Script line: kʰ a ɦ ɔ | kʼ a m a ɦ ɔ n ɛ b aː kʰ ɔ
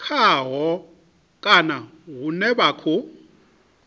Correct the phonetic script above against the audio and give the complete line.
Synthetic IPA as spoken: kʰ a ɦ ɔ | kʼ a n a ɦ u n ɛ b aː kʰ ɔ